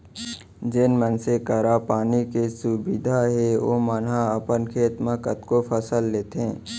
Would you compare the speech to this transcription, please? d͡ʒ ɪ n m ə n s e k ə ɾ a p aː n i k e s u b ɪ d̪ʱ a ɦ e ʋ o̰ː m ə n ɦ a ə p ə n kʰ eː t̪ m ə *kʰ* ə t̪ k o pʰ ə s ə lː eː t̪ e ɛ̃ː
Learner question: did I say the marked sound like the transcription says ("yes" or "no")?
no